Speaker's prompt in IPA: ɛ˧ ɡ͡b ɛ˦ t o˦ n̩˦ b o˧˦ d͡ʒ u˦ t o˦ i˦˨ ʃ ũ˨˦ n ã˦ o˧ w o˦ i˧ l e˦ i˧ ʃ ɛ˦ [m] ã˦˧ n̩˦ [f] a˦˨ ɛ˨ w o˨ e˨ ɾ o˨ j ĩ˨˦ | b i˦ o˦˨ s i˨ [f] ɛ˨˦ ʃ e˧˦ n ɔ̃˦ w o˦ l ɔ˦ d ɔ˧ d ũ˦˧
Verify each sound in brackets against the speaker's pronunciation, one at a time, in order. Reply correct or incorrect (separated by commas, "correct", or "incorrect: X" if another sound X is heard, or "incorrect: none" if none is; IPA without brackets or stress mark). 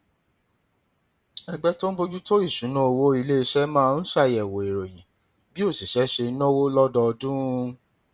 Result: correct, incorrect: ʃ, incorrect: ʃ